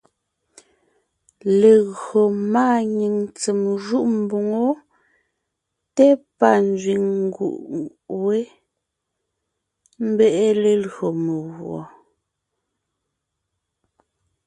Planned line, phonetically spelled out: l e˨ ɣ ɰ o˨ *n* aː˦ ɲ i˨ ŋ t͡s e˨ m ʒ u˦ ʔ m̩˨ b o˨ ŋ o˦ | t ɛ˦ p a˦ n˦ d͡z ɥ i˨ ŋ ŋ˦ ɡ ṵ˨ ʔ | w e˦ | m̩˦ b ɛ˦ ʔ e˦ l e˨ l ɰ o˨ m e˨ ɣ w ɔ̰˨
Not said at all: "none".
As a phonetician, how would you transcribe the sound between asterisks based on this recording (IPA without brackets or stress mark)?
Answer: m